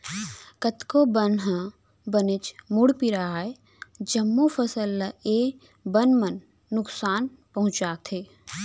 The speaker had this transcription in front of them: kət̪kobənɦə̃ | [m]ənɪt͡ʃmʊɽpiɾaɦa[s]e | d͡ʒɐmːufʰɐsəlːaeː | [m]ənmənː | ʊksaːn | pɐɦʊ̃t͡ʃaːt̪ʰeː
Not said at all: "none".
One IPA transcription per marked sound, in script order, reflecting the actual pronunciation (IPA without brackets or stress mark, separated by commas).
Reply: b, none, b